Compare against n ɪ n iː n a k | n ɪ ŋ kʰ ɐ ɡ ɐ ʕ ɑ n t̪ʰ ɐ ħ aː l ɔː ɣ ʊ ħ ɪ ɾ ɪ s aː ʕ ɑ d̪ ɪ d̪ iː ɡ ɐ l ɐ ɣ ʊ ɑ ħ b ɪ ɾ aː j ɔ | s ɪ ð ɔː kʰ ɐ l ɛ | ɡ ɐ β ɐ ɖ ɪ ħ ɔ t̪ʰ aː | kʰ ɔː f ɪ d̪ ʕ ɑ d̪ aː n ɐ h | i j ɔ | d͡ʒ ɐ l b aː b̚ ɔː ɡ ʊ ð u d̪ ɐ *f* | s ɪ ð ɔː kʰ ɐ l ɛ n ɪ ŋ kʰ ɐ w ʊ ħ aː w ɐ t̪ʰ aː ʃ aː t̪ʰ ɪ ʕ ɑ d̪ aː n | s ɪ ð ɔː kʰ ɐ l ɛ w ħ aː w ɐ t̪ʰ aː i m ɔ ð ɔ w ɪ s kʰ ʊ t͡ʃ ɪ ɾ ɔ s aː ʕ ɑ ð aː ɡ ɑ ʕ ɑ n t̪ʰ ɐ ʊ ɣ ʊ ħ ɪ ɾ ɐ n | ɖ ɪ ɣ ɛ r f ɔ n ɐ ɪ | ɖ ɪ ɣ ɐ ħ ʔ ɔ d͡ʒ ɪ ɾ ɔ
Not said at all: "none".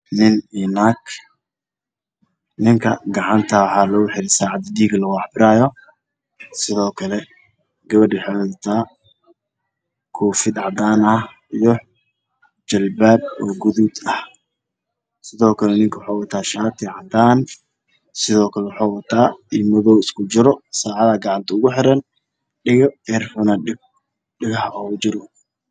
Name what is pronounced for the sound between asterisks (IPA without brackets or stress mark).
h